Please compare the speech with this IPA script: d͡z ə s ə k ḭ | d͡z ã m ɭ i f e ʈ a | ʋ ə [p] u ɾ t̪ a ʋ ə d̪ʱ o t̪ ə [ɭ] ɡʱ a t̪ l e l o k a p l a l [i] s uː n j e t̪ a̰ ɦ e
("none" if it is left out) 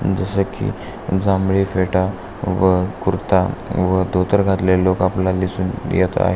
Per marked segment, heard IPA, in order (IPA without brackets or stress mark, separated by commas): k, ɾ, i